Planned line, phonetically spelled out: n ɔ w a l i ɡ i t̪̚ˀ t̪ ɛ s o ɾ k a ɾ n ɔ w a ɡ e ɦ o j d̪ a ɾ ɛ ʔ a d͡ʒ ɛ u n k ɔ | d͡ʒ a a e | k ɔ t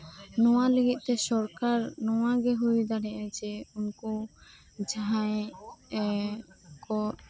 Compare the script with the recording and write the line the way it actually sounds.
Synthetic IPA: n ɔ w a l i ɡ i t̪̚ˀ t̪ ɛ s ɔ ɾ k a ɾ n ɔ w a ɡ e ɦ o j d̪ a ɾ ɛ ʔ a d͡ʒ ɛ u n k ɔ | d͡ʒ a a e | k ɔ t